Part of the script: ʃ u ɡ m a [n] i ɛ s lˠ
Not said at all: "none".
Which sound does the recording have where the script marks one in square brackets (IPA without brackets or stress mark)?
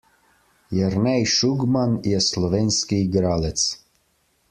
n